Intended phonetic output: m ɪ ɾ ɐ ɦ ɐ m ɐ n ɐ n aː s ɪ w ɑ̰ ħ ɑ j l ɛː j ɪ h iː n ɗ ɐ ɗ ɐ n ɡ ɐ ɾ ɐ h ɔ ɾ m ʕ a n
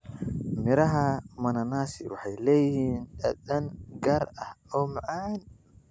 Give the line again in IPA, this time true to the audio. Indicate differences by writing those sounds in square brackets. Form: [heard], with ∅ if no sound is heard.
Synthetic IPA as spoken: m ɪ ɾ ɐ ɦ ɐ m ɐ n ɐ n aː s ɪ w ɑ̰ ħ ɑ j l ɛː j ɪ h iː n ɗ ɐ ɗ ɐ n ɡ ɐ ɾ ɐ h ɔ [∅] m ʕ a n